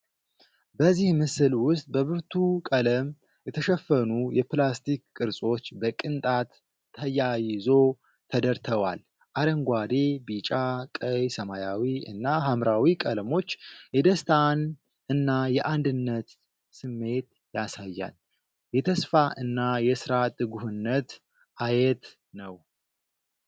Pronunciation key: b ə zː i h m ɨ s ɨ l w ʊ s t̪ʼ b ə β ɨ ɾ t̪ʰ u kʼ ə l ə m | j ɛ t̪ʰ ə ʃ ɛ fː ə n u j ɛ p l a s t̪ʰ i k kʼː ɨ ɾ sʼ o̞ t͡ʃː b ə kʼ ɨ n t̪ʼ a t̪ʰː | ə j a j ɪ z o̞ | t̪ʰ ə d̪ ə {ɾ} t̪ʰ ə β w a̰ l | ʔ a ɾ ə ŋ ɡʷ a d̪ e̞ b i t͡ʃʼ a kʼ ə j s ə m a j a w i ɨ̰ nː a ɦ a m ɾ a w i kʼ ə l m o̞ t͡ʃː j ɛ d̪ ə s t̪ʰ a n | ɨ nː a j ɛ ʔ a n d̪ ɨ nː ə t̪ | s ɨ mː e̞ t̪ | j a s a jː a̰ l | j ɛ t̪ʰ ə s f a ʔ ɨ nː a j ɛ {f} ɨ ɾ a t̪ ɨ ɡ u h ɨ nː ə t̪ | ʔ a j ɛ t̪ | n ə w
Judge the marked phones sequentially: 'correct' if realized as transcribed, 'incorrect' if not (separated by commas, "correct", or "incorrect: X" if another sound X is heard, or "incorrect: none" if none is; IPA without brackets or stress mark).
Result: correct, incorrect: s